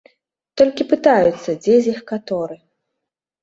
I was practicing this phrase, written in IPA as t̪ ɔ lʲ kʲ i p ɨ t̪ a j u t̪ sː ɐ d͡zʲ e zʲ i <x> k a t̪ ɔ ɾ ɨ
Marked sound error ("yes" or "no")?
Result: no